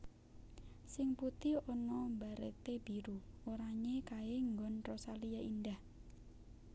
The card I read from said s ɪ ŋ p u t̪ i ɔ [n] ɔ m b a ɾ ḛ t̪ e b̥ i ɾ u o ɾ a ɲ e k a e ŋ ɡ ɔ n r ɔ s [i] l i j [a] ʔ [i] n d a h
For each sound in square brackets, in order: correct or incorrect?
correct, incorrect: a, correct, correct

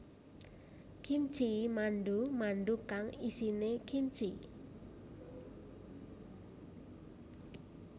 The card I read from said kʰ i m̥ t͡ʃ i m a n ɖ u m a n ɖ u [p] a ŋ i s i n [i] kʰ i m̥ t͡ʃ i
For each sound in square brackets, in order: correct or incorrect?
incorrect: k, incorrect: e

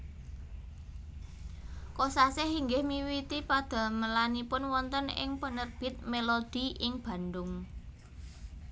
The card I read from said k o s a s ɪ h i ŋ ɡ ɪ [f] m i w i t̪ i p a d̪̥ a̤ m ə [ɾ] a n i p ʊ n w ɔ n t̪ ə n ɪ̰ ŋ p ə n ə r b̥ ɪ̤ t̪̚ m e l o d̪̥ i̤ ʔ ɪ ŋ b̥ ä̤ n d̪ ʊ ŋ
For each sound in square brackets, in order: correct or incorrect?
incorrect: h, incorrect: l

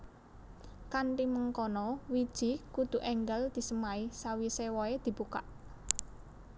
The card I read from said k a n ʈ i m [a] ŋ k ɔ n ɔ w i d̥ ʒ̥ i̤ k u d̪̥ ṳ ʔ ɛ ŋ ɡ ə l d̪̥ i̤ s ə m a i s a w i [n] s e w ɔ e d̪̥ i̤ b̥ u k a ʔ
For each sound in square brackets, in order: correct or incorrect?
incorrect: ə, incorrect: none

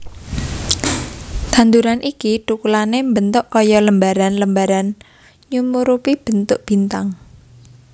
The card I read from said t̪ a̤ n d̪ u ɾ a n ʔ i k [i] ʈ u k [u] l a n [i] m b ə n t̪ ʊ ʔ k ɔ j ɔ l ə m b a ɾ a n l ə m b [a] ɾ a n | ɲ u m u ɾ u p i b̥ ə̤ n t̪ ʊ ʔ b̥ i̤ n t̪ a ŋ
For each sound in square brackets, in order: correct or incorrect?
correct, correct, incorrect: e, correct

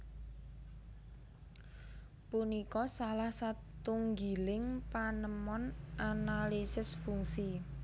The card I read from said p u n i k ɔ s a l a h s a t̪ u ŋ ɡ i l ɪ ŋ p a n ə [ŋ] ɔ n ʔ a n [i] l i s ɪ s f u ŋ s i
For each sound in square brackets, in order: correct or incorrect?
incorrect: m, incorrect: a

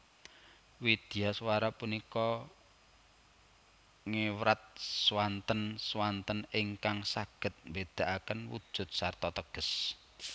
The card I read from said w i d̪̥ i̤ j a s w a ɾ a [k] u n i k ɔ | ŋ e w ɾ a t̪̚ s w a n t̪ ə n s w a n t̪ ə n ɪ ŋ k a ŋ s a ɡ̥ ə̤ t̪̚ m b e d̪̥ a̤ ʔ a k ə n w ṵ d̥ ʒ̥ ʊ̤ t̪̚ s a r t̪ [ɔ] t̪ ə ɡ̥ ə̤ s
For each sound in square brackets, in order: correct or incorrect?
incorrect: p, correct

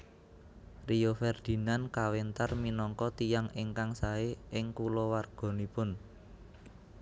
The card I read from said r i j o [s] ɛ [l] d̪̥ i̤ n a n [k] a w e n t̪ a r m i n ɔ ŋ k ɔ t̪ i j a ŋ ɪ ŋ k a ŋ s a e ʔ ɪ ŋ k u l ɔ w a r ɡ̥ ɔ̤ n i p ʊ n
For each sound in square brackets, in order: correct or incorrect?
incorrect: f, incorrect: r, correct

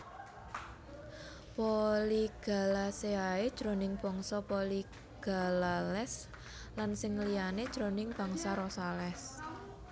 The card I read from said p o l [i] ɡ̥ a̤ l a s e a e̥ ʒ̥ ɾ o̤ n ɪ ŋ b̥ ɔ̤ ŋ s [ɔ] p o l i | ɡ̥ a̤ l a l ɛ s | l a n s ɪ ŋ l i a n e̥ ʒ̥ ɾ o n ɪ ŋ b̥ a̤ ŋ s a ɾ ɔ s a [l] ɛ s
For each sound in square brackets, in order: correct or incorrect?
correct, correct, correct

